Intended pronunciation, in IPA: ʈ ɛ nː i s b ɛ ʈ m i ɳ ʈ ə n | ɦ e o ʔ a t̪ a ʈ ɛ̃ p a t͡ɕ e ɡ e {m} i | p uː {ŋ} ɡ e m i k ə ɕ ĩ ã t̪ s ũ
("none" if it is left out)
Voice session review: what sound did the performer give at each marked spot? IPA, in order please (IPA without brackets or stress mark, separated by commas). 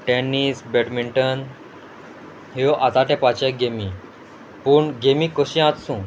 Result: m, ɳ